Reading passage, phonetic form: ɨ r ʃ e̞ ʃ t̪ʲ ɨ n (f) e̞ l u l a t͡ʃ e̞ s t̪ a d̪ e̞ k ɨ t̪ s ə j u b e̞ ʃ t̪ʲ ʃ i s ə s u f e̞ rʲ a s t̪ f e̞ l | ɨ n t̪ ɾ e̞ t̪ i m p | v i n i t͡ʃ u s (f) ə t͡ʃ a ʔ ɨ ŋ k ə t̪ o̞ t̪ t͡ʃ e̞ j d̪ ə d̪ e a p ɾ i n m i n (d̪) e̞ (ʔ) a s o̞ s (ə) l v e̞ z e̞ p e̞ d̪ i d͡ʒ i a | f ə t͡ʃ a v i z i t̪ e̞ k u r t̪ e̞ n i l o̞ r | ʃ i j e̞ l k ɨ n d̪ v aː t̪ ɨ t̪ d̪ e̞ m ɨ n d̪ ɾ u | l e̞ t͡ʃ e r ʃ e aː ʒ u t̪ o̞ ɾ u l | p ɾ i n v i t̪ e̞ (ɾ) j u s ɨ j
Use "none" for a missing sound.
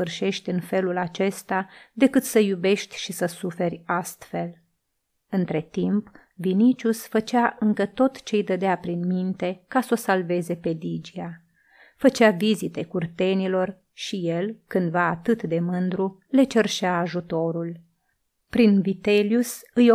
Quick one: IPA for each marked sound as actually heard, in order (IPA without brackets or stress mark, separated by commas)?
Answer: f, f, t̪, k, a, l